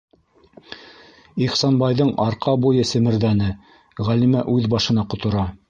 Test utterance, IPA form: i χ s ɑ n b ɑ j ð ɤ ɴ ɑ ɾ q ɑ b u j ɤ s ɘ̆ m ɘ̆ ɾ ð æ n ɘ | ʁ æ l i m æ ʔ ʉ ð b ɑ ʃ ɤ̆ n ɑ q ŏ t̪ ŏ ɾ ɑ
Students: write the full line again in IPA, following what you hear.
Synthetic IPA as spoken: i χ s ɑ n b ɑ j ð ɤ ɴ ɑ ɾ q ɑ b u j ɤ s ɘ̆ m ɘ̆ ɾ ð æ n ɘ | ʁ æ l i m æ ʔ ʉ ð b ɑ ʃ ɤ̆ n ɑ q ŏ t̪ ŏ ɾ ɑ